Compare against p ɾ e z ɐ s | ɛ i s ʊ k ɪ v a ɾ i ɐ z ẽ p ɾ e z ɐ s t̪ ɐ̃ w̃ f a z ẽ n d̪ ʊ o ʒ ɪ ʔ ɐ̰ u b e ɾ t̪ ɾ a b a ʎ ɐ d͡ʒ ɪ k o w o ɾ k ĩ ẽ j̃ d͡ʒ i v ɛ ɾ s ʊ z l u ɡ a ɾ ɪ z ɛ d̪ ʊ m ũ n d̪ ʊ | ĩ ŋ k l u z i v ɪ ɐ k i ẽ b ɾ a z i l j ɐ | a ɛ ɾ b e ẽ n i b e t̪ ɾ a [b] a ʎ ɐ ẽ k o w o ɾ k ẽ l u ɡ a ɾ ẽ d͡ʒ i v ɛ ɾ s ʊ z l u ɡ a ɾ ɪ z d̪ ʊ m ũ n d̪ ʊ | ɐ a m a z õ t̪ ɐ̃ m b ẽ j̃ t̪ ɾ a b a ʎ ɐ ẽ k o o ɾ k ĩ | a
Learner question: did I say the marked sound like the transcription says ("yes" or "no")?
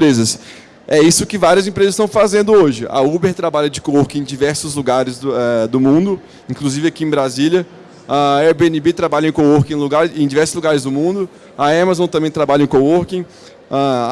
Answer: yes